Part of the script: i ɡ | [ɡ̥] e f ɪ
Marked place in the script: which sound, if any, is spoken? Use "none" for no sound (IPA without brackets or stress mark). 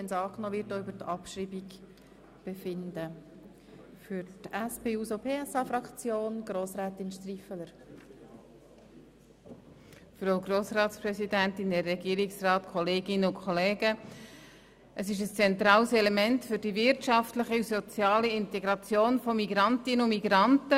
b̥